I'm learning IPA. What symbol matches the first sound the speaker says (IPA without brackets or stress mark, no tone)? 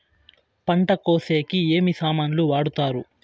p